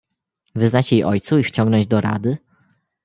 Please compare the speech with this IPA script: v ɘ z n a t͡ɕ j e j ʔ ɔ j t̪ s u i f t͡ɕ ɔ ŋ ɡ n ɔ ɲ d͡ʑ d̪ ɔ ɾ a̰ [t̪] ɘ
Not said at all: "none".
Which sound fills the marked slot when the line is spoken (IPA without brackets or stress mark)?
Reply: d̪